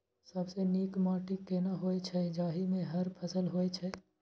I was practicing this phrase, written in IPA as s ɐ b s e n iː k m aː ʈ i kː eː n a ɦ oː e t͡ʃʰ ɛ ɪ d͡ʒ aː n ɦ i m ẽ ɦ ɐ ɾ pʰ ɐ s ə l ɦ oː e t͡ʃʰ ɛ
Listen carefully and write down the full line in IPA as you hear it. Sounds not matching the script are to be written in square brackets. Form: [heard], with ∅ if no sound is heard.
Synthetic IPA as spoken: s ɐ b s e n iː k m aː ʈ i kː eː n a ɦ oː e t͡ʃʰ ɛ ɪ d͡ʒ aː [∅] ɦ i m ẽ ɦ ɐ ɾ pʰ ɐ s ə l ɦ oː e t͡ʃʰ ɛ